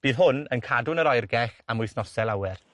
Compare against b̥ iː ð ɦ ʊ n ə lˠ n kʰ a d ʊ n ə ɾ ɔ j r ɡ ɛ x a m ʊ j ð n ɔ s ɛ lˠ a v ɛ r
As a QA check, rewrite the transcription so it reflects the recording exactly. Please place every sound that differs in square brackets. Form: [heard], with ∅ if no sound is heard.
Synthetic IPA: b̥ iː ð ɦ ʊ n ə [∅] n kʰ a d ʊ n ə ɾ ɔ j r ɡ ɛ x a m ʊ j [θ] n ɔ s ɛ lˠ a [w] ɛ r